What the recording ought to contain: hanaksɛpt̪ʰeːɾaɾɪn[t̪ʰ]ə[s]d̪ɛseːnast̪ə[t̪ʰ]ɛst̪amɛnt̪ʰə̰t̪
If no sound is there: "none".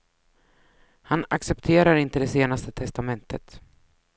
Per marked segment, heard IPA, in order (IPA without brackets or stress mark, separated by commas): t̪, none, t̪ʰ